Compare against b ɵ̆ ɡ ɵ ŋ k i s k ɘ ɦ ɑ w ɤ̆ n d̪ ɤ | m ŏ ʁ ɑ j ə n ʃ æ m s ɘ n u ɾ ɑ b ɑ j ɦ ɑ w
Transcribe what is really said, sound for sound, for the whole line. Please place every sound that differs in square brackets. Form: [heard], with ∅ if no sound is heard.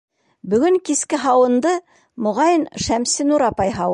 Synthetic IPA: b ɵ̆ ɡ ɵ ŋ k i s k ɘ ɦ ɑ w ɤ̆ n d̪ ɤ | m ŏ ʁ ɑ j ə n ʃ æ m s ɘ n u ɾ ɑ [p] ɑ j ɦ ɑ w